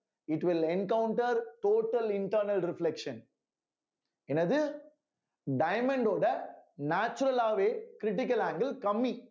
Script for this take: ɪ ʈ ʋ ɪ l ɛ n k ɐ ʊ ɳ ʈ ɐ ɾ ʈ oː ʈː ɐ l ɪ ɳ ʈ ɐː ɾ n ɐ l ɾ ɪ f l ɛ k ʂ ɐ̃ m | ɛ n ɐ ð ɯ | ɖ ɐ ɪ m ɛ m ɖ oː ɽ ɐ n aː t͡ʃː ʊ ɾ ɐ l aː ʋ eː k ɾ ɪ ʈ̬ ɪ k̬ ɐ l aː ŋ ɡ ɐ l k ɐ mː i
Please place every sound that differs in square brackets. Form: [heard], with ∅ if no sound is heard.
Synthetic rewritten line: ɪ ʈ ʋ ɪ l ɛ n k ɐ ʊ ɳ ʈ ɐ ɾ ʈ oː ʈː ɐ l ɪ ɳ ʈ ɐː ɾ n ɐ l ɾ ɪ f l ɛ k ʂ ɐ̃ [n] | ɛ n ɐ ð ɯ | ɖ ɐ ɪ m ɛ [ɳ] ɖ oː ɽ ɐ n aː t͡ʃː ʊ ɾ ɐ l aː ʋ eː k ɾ ɪ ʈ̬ ɪ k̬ ɐ l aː ŋ ɡ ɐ l k ɐ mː i